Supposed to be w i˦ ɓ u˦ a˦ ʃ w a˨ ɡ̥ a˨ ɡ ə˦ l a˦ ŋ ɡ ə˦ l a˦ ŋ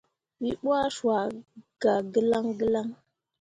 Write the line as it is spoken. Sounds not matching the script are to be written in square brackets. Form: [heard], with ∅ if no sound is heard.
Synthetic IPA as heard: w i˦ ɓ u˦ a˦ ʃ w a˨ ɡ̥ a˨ ɡ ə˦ l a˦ ŋ ɡ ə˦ l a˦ ŋ